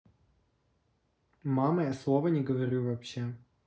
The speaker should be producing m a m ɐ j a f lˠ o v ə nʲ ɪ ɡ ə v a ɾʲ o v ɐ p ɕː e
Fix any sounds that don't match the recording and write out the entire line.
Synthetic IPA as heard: m a m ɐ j a s lˠ o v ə nʲ ɪ ɡ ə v ɐ ɾʲ u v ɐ p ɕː e